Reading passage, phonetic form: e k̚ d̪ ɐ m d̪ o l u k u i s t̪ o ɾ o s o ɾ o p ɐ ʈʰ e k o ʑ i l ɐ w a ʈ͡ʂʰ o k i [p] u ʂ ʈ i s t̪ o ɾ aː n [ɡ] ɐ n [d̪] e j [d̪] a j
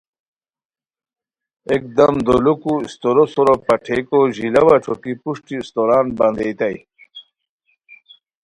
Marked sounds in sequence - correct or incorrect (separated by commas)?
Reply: correct, incorrect, correct, incorrect